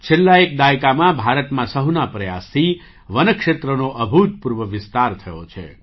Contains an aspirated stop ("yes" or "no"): yes